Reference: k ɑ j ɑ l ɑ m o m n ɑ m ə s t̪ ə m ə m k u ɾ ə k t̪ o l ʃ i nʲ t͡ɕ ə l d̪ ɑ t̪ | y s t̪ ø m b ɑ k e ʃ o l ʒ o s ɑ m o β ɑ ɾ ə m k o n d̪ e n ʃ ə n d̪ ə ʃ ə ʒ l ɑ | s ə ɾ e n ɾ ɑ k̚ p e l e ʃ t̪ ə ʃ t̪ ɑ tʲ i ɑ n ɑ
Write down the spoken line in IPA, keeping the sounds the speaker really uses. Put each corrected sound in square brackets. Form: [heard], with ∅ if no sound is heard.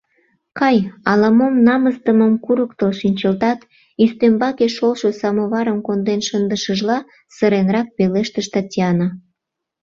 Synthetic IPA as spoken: k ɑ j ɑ l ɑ m o m n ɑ m ə s t̪ ə m ə m k u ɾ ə k t̪ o l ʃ i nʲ t͡ɕ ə l [t̪] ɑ t̪ | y s t̪ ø m b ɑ k e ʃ o l [ʃ] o s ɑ m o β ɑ ɾ ə m k o n d̪ e n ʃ ə n d̪ ə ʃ ə ʒ l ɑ | s ə ɾ e n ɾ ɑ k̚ p e l e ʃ t̪ ə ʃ t̪ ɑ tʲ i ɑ n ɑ